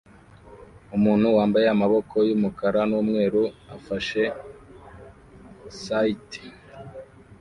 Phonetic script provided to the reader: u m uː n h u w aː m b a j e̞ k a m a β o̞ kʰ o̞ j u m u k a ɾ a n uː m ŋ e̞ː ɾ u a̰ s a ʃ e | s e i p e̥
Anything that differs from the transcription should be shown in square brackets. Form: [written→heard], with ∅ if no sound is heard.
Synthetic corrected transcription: u m uː n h u w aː m b a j e̞ [k→∅] a m a β o̞ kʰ o̞ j u m u k a ɾ a n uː m ŋ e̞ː ɾ u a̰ [s→f] a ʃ e | s [e→a] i [p→t] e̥